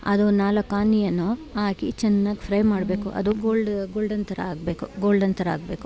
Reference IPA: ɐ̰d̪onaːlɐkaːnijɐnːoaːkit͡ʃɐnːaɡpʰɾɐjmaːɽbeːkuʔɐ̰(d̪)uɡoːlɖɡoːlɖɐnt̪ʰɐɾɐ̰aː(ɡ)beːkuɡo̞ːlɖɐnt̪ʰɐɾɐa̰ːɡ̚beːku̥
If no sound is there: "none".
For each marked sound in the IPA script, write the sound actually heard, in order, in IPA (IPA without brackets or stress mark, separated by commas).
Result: d̪, ɡ